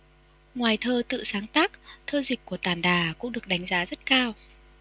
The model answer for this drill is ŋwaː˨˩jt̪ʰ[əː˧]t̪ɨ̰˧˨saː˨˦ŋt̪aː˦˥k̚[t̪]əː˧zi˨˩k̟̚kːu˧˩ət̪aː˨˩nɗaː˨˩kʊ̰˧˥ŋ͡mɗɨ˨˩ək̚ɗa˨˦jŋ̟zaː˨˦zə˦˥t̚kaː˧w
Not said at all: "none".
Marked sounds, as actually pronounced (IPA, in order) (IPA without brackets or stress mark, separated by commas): əː˧, t̪ʰ